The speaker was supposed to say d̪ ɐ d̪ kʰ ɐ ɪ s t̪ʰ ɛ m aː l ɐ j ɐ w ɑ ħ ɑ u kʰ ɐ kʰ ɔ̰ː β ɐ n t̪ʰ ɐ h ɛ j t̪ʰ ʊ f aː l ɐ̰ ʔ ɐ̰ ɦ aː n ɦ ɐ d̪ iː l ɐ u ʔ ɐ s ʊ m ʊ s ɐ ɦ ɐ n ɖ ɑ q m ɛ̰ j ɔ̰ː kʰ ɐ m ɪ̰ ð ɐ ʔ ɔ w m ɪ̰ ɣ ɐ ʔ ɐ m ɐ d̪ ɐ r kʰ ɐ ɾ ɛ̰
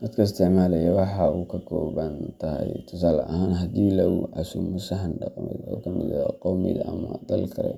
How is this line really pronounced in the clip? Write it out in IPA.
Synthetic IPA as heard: d̪ ɐ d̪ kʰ ɐ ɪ s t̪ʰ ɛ m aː l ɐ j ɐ w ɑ ħ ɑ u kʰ ɐ kʰ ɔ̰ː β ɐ n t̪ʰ ɐ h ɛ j t̪ʰ ʊ s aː l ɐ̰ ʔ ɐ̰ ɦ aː n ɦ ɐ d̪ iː l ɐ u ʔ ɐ s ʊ m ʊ s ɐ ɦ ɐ n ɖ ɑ q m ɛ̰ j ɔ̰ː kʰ ɐ m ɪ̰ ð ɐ q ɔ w m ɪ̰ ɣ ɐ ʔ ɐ m ɐ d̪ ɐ l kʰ ɐ ɾ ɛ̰